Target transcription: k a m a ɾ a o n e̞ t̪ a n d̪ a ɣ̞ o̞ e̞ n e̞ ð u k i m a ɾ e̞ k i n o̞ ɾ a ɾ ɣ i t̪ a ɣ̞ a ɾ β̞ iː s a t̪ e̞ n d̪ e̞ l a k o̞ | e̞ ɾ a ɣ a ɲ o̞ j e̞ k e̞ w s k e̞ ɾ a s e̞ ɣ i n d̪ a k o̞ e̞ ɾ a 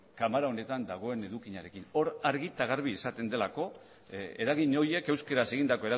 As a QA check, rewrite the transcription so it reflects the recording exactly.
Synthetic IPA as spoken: k a m a ɾ a o n e̞ t̪ a n d̪ a ɣ̞ o̞ e̞ n e̞ ð u k i ɲ a ɾ e̞ k i n o̞ ɾ a ɾ ɣ i t̪ a ɣ̞ a ɾ β̞ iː s a t̪ e̞ n d̪ e̞ l a k o̞ | e̞ ɾ a ɣ i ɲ o̞ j e̞ k e̞ w s k e̞ ɾ a s e̞ ɣ i n d̪ a k o̞ e̞ ɾ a